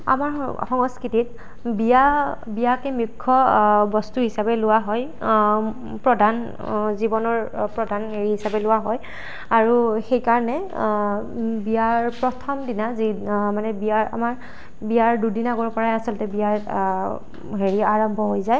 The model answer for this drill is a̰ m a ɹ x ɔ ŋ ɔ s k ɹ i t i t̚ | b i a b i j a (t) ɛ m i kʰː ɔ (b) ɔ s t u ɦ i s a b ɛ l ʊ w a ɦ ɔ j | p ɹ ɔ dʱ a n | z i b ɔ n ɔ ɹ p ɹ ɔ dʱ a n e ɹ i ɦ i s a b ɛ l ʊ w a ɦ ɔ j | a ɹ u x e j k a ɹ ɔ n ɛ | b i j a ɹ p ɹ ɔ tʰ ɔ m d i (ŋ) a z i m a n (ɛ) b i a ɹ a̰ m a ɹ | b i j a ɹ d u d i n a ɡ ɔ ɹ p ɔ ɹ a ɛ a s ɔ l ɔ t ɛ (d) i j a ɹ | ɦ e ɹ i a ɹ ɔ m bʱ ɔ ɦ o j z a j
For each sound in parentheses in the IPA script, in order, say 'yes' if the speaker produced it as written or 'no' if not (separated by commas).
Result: no, yes, no, yes, no